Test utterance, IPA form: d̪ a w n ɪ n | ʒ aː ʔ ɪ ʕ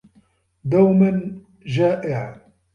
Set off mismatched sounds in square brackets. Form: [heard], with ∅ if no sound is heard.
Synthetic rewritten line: d̪ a w [m] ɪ n | ʒ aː ʔ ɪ ʕ